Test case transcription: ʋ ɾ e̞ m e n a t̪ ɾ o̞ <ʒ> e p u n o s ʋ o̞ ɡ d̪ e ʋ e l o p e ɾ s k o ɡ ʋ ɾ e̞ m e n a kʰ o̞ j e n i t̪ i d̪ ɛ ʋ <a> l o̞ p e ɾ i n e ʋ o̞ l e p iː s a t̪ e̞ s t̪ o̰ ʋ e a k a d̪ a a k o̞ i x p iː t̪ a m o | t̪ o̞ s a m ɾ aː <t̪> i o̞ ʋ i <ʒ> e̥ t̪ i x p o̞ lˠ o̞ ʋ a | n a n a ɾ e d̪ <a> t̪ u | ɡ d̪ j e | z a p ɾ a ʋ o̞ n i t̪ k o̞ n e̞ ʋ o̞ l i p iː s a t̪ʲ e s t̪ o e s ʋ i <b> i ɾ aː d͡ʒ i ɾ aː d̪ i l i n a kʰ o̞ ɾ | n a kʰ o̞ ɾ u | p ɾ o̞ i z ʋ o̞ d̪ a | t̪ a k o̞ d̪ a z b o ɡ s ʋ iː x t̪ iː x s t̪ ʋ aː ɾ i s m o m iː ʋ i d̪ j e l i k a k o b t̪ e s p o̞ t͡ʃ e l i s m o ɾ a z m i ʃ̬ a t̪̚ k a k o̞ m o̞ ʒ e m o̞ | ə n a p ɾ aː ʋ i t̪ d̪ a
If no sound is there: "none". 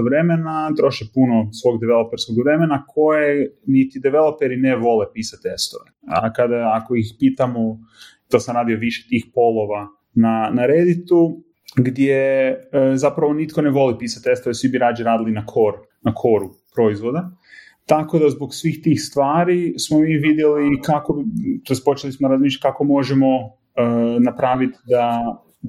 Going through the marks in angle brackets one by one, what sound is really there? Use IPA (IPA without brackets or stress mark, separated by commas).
ʃ, e, d̪, ʃ, i, b